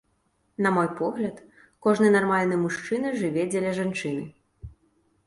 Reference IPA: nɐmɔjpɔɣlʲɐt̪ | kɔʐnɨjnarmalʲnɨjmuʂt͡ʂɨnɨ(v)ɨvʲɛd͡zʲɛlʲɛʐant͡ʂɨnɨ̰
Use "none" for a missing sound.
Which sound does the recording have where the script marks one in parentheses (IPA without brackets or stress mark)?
ʐ